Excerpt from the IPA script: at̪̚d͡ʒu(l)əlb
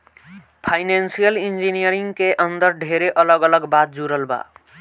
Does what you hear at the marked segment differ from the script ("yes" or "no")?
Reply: yes